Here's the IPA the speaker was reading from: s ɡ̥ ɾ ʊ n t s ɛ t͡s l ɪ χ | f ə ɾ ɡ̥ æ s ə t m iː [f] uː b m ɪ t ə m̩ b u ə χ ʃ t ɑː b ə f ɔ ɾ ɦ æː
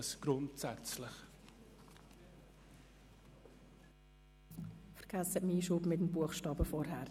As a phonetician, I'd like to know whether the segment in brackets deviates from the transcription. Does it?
yes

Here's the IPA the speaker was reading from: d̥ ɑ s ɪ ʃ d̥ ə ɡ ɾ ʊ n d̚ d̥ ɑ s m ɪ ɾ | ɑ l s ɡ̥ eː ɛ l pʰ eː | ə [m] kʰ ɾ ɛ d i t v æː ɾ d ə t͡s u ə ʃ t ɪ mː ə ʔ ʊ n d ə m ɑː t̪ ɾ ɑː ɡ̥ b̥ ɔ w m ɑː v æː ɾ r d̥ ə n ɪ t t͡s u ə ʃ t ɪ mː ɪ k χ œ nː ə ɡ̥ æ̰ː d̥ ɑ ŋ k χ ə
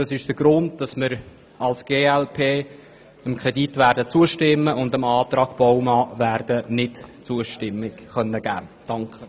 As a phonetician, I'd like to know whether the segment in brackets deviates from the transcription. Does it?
no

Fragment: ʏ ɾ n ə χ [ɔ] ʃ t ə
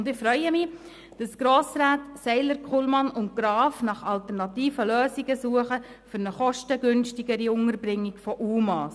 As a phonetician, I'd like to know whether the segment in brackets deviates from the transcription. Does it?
no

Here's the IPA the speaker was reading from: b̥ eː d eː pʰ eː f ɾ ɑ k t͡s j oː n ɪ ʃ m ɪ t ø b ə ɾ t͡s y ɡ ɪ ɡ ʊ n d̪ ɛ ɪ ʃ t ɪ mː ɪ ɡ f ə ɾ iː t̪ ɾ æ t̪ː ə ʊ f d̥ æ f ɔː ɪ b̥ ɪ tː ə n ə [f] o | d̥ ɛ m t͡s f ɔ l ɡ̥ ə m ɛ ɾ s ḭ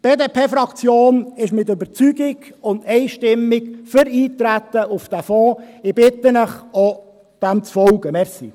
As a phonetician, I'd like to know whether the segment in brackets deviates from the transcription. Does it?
yes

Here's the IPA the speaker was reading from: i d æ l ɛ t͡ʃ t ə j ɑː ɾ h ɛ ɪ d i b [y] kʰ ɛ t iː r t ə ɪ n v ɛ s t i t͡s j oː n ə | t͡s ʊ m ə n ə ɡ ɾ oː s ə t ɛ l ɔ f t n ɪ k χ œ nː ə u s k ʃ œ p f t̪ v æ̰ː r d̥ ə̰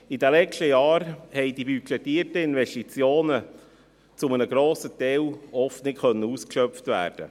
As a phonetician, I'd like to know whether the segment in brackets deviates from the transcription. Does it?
no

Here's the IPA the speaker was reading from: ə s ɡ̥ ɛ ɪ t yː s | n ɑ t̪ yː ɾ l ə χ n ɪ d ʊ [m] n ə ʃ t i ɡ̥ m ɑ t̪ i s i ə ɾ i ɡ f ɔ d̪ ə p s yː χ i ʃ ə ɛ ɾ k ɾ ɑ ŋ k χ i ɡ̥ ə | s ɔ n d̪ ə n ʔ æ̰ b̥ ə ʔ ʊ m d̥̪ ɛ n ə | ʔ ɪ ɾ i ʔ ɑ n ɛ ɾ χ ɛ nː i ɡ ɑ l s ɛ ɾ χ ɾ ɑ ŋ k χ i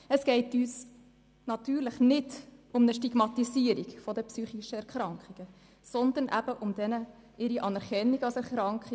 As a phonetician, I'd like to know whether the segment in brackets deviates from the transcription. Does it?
no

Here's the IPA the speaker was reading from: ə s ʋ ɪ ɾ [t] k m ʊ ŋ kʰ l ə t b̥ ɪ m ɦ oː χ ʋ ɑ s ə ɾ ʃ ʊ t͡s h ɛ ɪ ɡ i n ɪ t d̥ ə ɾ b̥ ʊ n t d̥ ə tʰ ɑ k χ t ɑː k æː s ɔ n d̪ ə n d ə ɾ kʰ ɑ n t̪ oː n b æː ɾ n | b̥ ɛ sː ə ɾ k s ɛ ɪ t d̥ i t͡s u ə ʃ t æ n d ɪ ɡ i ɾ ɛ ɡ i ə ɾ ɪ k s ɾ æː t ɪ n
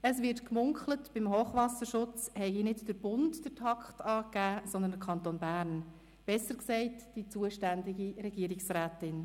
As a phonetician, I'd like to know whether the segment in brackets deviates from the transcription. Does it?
no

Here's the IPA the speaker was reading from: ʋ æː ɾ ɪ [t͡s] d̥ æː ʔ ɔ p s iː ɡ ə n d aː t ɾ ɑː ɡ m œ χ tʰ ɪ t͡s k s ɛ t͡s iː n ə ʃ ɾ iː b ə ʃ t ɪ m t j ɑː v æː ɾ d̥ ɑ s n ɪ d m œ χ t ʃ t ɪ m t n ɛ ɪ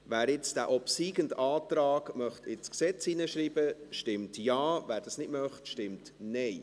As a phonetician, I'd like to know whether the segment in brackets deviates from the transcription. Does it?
no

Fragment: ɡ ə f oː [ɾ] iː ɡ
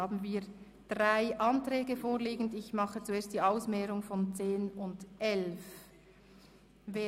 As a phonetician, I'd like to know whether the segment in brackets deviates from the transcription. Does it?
yes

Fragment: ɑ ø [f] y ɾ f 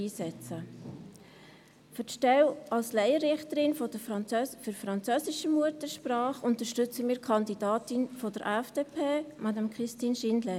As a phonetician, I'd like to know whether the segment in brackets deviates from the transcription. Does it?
no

